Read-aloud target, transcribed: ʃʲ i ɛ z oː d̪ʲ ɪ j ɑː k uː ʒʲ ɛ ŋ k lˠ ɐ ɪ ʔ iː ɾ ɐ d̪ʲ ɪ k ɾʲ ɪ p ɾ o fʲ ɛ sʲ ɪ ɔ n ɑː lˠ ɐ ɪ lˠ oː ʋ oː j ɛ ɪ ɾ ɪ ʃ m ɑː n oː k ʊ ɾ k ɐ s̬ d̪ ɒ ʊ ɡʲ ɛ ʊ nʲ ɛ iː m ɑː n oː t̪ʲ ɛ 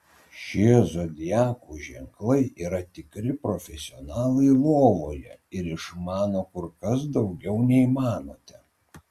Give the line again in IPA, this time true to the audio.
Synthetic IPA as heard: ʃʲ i ɛ z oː d̪ʲ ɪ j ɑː k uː ʒʲ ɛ ŋ k lˠ ɐ ɪ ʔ iː ɾ ɐ t̪ʲ ɪ k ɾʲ ɪ p ɾ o fʲ ɛ sʲ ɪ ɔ n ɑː lˠ ɐ ɪ lˠ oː ʋ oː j ɛ ɪ ɾ ɪ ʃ m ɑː n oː k ʊ ɾ k ɐ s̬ d̪ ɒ ʊ ɡʲ ɛ ʊ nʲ ɛ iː m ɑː n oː t̪ʲ ɛ

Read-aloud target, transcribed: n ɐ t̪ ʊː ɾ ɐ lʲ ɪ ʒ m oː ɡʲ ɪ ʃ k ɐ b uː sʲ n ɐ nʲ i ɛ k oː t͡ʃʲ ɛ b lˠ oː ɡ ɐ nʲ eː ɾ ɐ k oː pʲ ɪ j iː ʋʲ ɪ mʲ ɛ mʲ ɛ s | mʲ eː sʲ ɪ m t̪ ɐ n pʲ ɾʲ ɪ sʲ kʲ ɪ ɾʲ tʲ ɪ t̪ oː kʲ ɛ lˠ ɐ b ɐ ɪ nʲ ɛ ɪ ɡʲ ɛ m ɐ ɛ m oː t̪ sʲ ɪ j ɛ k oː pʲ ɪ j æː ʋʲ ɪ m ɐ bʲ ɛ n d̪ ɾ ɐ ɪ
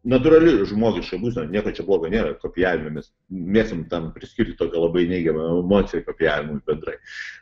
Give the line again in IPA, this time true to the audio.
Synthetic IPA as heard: n ɐ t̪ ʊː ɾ ɐ lʲ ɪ ʒ m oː ɡʲ ɪ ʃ k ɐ b uː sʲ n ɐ nʲ i ɛ k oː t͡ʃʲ ɛ b lˠ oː ɡ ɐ nʲ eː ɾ ɐ k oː pʲ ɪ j æː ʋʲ ɪ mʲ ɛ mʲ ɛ s | mʲ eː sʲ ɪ m t̪ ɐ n pʲ ɾʲ ɪ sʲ kʲ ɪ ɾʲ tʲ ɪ t̪ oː kʲ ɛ lˠ ɐ b ɐ ɪ nʲ ɛ ɪ ɡʲ ɛ m ɐ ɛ m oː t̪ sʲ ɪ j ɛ k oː pʲ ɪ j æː ʋʲ ɪ m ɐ bʲ ɛ n d̪ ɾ ɐ ɪ

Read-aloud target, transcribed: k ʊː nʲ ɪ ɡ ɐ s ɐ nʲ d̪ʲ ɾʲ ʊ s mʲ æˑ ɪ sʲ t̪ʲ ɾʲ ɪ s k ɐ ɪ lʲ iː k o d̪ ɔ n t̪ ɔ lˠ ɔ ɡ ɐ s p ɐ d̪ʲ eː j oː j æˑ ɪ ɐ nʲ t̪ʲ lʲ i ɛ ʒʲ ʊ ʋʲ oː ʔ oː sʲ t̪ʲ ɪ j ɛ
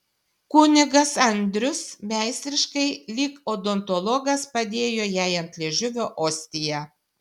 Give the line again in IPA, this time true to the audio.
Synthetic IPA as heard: k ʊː nʲ ɪ ɡ ɐ s ɐ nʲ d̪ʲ ɾʲ ʊ s mʲ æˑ ɪ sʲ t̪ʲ ɾʲ ɪ ʃ k ɐ ɪ lʲ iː k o d̪ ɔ n t̪ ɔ lˠ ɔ ɡ ɐ s p ɐ d̪ʲ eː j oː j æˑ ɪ ɐ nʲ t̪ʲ lʲ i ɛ ʒʲ ʊ ʋʲ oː ʔ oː sʲ t̪ʲ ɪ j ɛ

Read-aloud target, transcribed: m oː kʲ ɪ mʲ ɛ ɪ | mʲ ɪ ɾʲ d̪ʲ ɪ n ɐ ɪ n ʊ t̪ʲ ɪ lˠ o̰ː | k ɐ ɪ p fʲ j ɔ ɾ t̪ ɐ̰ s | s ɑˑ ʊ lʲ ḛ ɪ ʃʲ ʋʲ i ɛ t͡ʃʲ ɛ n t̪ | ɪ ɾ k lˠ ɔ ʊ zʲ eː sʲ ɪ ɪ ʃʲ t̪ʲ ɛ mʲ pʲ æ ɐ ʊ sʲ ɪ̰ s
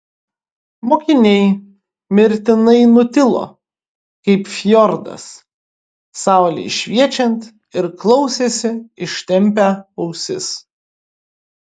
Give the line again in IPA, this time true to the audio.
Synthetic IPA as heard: m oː kʲ ɪ nʲ ɛ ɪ | mʲ ɪ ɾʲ t̪ʲ ɪ n ɐ ɪ n ʊ t̪ʲ ɪ lˠ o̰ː | k ɐ ɪ p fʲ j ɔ ɾ d̪ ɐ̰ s | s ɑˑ ʊ lʲ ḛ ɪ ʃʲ ʋʲ i ɛ t͡ʃʲ ɛ n t̪ | ɪ ɾ k lˠ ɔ ʊ sʲ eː sʲ ɪ ɪ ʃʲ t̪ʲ ɛ mʲ pʲ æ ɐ ʊ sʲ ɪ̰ s

